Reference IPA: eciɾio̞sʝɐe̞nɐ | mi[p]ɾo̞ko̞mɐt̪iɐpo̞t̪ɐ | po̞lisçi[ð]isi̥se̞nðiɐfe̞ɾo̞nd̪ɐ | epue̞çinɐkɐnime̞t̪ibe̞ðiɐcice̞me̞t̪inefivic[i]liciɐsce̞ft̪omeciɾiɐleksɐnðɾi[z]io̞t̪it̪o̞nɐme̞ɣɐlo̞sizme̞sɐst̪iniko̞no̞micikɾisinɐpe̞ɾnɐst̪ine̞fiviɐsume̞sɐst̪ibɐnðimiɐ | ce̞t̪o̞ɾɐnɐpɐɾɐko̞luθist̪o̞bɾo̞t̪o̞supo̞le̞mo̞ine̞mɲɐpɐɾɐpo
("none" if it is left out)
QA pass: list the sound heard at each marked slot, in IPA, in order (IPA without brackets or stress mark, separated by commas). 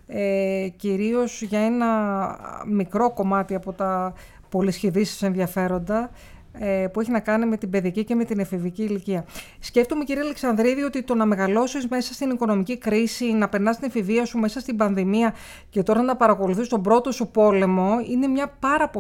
k, ð, iː, ð